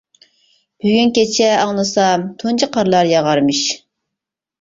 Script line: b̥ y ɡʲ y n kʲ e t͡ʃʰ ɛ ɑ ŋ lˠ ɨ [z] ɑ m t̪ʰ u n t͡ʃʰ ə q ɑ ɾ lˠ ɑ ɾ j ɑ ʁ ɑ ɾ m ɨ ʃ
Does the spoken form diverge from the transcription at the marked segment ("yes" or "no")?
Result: yes